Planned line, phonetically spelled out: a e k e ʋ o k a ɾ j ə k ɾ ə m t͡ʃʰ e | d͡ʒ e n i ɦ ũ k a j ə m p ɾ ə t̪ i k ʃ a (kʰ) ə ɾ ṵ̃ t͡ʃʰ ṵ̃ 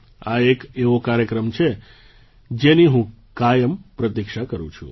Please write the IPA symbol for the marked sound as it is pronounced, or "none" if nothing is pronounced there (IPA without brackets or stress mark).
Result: k